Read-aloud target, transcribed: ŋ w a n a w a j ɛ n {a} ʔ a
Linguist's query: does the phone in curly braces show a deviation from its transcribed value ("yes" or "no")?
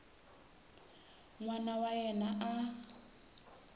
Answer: no